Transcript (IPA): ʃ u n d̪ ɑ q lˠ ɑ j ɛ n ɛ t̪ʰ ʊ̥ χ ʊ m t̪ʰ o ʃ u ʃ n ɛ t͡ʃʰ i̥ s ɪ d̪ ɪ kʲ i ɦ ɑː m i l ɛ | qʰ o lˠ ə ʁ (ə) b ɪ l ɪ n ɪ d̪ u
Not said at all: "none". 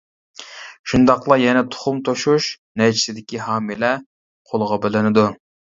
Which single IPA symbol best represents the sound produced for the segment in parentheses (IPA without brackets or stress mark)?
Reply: ɑ